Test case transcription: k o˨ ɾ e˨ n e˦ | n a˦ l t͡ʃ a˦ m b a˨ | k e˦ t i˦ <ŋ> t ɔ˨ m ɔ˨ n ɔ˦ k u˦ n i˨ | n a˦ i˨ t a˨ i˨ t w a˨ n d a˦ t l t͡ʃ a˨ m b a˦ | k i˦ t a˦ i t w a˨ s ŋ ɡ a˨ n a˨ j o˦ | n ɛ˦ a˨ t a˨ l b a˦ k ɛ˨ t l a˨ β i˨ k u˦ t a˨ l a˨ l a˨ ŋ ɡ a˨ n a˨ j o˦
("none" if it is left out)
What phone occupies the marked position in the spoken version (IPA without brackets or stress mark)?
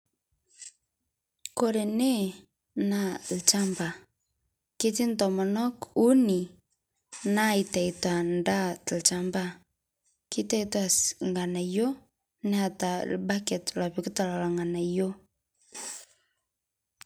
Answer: n